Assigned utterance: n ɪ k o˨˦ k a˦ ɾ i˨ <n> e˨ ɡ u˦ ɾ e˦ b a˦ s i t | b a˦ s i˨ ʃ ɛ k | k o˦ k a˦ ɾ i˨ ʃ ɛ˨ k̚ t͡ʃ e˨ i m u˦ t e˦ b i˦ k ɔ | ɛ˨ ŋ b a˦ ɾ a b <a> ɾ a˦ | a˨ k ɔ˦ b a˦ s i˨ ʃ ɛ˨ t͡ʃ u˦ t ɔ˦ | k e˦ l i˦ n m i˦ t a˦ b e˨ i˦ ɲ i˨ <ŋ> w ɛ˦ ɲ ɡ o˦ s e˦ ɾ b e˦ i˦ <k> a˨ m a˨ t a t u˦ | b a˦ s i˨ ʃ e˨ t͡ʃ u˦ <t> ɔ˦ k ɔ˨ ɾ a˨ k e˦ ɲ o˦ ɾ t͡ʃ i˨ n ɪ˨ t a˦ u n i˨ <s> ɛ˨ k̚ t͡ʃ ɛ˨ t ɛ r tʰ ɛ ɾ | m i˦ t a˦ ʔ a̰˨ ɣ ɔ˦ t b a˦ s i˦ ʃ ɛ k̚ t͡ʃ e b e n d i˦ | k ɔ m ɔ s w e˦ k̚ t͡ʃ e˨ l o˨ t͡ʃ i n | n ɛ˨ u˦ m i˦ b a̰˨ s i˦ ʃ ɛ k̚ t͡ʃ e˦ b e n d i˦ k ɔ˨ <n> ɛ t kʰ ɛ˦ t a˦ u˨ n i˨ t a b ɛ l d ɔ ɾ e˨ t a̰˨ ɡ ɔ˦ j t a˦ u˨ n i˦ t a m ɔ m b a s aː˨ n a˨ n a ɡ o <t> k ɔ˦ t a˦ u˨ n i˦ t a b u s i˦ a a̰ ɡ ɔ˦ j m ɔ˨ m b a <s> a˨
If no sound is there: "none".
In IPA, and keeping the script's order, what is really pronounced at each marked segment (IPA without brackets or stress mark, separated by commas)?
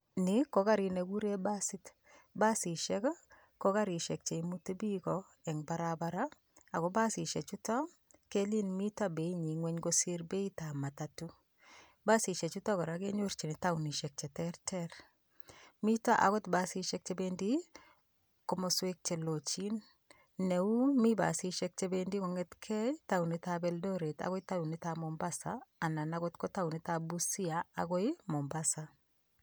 n, a, ŋ, t, t, ʃ, ŋ, t, s